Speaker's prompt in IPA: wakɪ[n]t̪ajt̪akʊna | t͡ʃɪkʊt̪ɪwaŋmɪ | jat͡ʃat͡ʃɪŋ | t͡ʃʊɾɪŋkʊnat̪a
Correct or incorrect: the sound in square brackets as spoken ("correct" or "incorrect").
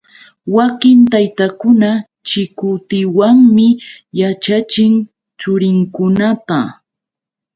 correct